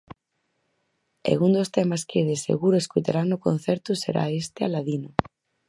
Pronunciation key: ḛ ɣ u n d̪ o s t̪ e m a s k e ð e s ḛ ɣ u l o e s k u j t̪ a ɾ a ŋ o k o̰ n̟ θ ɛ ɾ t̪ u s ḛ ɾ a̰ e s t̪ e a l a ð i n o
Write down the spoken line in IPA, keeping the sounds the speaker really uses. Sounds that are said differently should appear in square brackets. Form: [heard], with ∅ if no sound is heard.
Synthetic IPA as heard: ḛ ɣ u n d̪ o s t̪ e m a s k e ð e s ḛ ɣ u [ɾ] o e s k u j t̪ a ɾ a [n] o k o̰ n̟ θ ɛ ɾ t̪ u s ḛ ɾ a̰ e s t̪ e a l a ð i n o